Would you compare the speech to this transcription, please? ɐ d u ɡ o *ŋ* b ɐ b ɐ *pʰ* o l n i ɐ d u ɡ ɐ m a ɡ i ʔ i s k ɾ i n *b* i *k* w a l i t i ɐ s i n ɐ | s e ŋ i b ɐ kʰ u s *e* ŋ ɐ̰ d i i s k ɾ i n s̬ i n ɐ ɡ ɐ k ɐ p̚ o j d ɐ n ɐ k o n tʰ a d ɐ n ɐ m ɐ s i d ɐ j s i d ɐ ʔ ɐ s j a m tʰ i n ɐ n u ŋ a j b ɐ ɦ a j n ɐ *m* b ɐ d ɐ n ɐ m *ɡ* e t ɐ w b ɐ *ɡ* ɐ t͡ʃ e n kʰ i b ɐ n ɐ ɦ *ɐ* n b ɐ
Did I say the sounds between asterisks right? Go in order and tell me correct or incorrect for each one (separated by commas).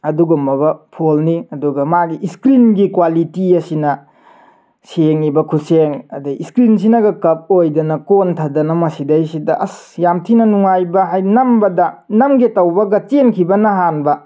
incorrect, correct, incorrect, correct, correct, correct, correct, correct, incorrect